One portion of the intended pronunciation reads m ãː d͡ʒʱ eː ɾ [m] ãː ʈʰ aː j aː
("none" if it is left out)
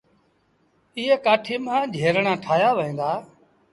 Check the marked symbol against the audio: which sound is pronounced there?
ɳ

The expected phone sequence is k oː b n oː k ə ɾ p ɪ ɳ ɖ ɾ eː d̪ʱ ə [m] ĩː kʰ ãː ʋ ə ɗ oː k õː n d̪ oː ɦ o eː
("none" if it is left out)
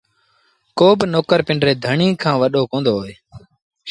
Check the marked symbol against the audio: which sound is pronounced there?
ɳ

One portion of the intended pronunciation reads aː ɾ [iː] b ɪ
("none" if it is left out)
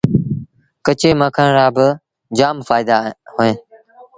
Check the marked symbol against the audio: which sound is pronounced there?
aː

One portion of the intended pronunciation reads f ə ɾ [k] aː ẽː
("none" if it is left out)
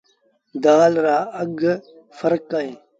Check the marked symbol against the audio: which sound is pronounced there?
k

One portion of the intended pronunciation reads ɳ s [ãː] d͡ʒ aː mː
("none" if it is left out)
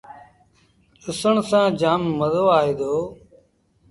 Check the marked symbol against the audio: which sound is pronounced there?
ãː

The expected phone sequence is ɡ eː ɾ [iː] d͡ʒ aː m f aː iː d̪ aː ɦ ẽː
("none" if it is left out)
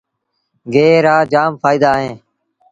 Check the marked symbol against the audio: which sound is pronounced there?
aː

